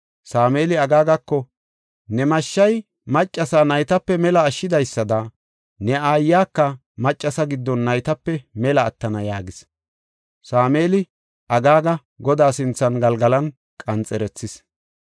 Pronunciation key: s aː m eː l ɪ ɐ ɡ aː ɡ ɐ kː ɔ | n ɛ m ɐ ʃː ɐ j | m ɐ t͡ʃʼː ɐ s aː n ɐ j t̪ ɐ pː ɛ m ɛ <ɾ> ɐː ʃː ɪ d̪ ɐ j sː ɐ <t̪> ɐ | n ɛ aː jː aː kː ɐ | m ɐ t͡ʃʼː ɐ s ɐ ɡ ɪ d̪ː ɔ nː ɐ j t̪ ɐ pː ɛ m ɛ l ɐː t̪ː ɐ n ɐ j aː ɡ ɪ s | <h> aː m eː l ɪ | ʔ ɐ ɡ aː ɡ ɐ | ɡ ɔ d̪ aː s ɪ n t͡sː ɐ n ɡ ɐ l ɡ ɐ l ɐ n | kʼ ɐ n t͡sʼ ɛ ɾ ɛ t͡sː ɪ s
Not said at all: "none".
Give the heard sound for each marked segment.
l, d̪, s

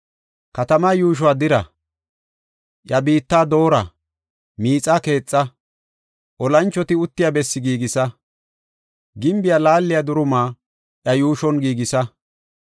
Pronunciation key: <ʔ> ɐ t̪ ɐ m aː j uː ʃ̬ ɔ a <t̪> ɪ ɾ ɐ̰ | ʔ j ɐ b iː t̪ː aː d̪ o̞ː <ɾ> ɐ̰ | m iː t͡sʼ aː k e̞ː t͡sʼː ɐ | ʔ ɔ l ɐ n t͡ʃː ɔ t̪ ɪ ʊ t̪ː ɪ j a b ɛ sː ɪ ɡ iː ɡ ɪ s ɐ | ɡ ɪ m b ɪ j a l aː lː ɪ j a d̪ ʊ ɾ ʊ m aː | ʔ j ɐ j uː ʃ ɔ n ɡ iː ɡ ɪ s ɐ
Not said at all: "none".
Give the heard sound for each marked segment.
k, d̪, ɾ

